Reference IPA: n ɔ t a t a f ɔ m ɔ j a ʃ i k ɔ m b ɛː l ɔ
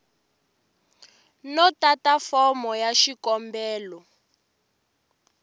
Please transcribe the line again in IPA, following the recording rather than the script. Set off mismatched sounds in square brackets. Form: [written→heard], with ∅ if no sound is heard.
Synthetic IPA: n ɔ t a t a f ɔ m ɔ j a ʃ i k ɔ m b ɛː l ɔ